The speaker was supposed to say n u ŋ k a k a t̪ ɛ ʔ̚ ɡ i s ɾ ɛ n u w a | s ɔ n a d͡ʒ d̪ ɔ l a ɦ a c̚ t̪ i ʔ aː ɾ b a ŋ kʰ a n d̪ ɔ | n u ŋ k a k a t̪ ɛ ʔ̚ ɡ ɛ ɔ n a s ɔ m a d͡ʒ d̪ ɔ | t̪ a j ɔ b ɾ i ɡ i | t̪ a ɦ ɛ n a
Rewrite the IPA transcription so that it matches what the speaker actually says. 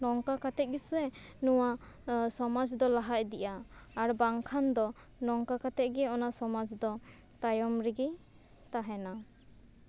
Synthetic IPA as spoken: n ɔ ŋ k a k a t̪ ɛ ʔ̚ ɡ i s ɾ ɛ n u w a | s ɔ m a d͡ʒ d̪ ɔ l a ɦ a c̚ d̪ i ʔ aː ɾ b a ŋ kʰ a n d̪ ɔ | n ɔ ŋ k a k a t̪ ɛ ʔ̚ ɡ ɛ ɔ n a s ɔ m a d͡ʒ d̪ ɔ | t̪ a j ɔ m ɾ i ɡ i | t̪ a ɦ ɛ n a